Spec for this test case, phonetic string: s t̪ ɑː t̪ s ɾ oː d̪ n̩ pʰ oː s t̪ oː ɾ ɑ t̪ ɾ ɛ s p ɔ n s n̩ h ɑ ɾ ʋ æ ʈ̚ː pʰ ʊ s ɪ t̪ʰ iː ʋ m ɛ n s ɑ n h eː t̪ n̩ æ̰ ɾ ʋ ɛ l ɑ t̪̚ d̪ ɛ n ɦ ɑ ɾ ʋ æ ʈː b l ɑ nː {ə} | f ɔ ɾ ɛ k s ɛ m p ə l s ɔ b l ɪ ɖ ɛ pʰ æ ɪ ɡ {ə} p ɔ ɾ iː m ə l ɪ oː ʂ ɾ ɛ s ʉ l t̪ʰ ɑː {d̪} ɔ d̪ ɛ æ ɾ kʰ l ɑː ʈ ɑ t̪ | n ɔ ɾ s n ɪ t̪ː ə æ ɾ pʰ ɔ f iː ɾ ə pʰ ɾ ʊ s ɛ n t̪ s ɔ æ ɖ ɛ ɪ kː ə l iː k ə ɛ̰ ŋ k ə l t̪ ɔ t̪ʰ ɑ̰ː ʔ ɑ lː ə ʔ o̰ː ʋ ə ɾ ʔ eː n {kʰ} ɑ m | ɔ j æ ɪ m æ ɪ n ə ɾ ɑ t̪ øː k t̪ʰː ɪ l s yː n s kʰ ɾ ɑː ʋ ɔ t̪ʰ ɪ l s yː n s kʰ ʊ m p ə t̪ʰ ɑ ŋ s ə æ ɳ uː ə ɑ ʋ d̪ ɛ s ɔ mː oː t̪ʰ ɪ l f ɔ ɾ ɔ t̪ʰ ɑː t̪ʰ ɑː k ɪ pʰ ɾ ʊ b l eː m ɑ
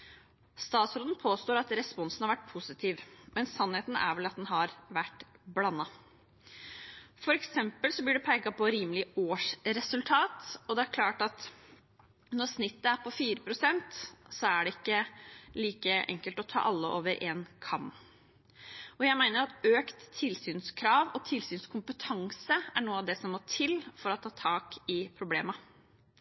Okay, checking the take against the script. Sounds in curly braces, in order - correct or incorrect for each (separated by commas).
incorrect, incorrect, incorrect, correct